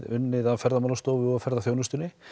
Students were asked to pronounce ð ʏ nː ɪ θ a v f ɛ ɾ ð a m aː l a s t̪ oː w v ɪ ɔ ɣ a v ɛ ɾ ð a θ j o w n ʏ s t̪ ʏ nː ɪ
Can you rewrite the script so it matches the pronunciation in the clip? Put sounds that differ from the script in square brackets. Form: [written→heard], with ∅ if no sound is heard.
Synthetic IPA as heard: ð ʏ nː ɪ [θ→ð] a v f ɛ ɾ ð a m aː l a s t̪ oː w v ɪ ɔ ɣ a [v→f] ɛ ɾ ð a θ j o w n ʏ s t̪ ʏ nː ɪ